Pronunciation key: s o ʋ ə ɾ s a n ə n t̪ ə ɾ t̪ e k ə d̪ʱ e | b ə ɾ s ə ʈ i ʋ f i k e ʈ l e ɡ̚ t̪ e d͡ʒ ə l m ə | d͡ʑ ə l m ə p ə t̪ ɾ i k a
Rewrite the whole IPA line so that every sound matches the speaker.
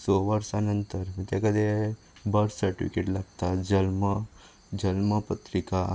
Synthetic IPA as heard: s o ʋ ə ɾ s a n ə n t̪ ə ɾ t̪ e k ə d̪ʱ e | b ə ɾ s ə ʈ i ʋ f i k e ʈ l a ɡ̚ t̪ a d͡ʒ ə l m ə | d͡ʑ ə l m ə p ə t̪ ɾ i k a